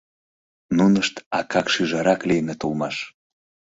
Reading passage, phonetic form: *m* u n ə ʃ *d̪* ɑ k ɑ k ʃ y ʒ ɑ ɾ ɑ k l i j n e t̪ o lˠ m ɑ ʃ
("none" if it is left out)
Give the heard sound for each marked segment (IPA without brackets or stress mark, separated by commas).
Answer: n, t̪